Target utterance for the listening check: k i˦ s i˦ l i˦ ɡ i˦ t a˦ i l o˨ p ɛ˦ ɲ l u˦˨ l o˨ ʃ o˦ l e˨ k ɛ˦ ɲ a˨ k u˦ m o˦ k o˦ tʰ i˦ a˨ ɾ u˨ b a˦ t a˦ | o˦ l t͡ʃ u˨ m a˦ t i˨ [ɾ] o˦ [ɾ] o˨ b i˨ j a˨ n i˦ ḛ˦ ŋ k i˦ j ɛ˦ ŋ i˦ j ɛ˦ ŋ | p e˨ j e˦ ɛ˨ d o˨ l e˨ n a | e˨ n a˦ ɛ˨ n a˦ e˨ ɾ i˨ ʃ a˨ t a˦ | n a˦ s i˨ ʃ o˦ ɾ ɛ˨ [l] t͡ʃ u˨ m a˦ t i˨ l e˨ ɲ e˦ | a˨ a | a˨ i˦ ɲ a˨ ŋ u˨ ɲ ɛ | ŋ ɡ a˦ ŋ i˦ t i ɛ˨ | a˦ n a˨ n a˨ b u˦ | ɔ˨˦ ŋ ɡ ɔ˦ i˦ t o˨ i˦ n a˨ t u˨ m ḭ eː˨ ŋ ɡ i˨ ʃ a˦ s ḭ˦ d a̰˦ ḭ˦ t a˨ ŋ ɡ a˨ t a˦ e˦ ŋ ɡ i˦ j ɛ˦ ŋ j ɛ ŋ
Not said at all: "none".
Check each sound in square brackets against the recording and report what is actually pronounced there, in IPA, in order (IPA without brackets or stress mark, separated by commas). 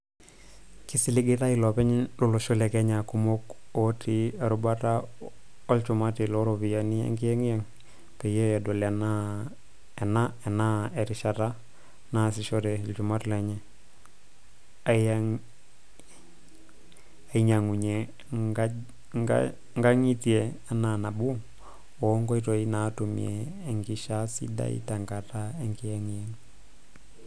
l, ɾ, l